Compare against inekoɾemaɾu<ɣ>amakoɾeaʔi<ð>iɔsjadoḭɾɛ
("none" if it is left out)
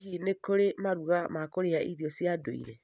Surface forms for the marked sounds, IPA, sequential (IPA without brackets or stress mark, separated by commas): ɣ, ð